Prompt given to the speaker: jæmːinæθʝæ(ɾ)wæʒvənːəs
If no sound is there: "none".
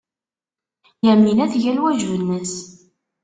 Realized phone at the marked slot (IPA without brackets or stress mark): l